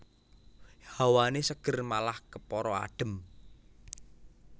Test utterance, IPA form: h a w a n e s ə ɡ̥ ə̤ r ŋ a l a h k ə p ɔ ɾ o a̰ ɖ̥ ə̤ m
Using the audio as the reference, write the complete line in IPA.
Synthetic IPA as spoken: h a w a n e s ə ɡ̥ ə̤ r m a l a h k ə p ɔ ɾ ɔ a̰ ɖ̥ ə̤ m